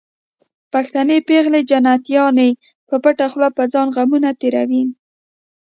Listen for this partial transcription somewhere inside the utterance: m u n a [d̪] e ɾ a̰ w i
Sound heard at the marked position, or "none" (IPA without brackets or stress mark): t̪